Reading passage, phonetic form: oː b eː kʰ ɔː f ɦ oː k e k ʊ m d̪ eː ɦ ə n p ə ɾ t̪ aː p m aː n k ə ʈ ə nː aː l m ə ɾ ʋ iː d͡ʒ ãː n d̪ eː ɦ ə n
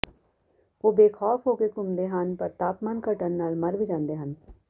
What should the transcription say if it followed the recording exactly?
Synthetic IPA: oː b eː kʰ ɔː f ɦ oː k e k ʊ m d̪ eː ɦ ə n p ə ɾ t̪ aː p m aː n k ə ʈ ə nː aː l m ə ɾ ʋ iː d͡ʒ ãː n d̪ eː ɦ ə n